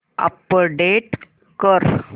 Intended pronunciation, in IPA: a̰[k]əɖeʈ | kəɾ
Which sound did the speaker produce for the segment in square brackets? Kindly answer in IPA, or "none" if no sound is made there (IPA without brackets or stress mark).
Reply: p